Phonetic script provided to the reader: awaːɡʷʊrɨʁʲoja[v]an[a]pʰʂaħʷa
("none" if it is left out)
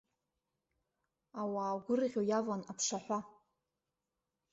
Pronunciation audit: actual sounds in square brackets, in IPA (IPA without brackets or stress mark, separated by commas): v, a